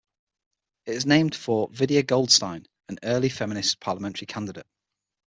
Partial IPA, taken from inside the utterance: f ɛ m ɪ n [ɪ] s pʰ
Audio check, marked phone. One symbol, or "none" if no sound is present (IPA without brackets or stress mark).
ɪ